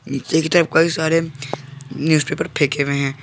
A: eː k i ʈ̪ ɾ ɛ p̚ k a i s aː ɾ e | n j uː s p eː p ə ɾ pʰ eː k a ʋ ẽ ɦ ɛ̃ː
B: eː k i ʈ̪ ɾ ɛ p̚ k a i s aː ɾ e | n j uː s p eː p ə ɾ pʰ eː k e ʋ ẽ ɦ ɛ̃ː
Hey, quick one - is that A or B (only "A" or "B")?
B